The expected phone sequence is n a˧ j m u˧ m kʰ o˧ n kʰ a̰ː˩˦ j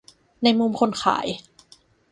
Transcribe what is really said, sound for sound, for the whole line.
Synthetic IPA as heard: n a˧ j m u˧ m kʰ o˧ n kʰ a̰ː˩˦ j